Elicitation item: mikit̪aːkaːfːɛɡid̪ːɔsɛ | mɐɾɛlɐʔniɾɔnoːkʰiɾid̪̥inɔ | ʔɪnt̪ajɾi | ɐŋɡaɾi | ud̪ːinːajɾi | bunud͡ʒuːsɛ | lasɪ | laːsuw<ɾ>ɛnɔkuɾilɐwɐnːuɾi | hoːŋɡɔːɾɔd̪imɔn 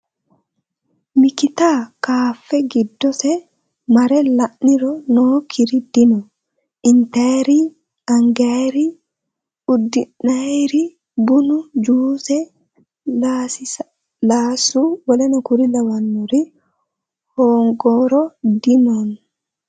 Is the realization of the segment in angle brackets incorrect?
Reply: yes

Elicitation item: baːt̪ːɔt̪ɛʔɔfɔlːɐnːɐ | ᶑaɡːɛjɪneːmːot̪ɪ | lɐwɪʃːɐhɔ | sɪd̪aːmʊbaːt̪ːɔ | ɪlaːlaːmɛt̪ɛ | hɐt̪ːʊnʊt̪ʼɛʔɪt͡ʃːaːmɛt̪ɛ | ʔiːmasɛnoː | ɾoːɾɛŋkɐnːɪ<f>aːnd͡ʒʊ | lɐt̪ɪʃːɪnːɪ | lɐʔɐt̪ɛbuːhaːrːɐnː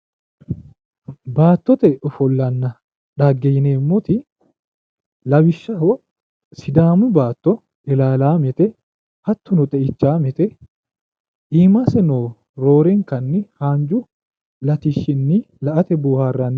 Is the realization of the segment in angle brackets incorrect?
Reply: yes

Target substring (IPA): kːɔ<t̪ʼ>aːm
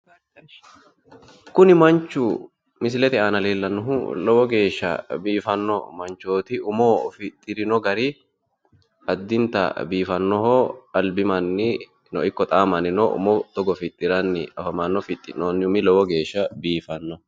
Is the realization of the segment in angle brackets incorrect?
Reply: no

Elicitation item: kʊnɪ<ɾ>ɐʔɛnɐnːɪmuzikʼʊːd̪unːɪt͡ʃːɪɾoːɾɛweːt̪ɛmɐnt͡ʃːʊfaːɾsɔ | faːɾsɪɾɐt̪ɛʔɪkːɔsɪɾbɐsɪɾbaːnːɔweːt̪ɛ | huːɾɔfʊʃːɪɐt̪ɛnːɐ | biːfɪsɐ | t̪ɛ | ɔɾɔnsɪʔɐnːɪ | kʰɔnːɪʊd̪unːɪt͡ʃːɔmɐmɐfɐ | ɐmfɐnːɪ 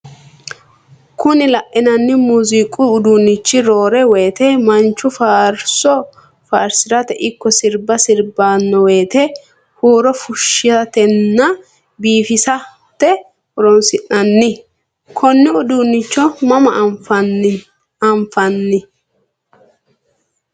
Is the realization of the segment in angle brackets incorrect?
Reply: yes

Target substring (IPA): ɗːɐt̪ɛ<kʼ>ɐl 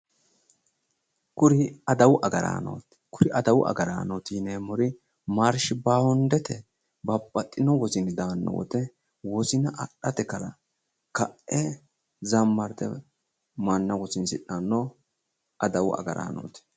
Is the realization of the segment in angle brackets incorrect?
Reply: yes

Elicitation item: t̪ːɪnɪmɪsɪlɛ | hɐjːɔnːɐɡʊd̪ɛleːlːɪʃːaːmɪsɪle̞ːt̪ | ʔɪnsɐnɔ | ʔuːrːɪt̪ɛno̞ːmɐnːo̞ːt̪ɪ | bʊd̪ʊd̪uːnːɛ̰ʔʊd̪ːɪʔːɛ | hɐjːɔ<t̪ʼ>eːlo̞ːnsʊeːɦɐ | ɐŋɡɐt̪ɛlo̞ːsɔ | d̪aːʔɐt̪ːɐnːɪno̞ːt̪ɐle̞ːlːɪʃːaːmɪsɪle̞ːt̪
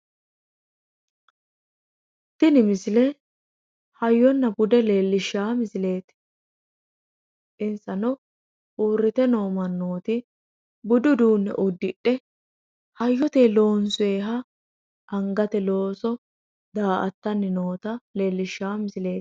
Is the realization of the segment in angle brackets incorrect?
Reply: yes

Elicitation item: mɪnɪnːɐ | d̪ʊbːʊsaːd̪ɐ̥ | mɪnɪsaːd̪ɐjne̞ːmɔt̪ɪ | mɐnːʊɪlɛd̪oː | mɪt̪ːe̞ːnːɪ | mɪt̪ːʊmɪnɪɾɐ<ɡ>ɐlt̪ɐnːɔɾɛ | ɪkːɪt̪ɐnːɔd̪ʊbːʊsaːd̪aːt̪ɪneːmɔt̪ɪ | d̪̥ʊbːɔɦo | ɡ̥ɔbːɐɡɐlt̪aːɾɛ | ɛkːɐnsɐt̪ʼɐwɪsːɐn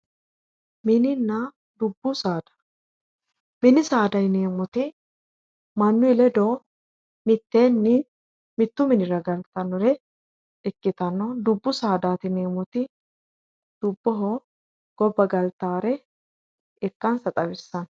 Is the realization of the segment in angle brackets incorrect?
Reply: no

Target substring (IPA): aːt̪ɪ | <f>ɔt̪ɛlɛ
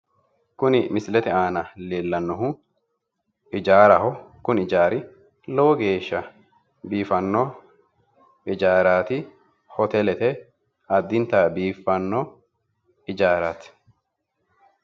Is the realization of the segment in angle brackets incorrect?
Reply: yes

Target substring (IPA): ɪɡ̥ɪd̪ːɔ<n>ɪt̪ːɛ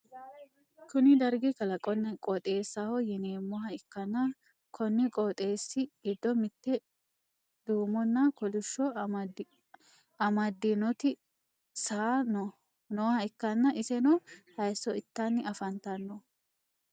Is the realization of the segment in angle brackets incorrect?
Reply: yes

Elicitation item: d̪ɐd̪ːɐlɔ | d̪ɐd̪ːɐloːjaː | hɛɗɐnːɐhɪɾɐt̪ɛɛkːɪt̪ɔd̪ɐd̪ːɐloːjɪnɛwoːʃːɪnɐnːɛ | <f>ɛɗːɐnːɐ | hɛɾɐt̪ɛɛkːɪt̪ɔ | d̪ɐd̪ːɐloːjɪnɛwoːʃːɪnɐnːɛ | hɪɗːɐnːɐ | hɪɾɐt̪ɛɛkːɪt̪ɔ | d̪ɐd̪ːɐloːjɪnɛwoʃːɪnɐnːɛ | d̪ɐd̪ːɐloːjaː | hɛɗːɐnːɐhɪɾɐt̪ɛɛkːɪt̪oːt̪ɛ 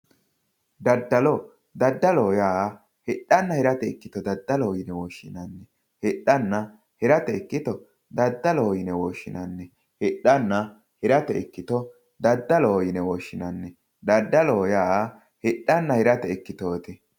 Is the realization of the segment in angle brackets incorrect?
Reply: yes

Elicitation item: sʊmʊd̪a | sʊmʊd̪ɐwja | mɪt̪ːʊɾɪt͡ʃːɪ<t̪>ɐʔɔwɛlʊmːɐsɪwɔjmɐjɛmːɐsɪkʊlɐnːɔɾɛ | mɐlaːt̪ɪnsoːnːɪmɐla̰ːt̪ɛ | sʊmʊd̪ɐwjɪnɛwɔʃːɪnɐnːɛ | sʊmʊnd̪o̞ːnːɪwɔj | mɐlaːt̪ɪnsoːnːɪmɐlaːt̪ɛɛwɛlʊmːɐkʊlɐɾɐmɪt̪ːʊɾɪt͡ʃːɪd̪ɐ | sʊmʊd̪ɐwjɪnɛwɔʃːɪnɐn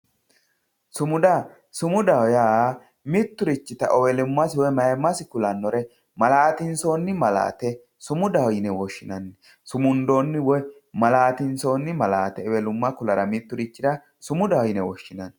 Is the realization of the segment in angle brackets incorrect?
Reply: no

